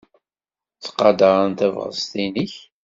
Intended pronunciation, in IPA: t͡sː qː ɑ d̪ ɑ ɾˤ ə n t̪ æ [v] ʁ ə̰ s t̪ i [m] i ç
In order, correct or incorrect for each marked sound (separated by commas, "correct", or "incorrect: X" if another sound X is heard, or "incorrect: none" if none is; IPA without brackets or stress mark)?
correct, incorrect: n